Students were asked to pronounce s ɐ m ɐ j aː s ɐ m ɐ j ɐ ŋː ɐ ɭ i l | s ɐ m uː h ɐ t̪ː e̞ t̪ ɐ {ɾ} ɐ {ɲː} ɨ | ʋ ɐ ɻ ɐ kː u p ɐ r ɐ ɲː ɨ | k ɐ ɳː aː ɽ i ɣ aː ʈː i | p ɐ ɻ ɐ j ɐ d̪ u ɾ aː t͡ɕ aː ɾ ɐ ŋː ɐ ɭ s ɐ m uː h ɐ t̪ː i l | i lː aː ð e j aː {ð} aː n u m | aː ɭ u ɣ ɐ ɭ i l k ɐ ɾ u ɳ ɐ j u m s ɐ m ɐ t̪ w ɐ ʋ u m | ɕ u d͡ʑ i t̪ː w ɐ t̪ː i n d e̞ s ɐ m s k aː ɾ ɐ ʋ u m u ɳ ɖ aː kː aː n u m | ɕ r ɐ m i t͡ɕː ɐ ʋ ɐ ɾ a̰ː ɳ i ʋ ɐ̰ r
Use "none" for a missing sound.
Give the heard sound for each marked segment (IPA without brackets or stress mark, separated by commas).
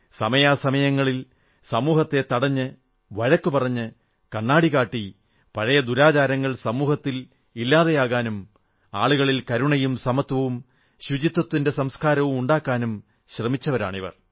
ɽ, ɲː, ɣ